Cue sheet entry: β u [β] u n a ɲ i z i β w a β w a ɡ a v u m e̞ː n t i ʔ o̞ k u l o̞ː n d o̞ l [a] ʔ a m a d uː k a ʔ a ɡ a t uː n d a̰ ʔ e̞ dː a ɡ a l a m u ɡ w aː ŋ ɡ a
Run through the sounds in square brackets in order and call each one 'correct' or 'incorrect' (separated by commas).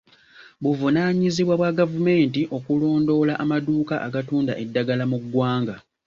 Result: incorrect, correct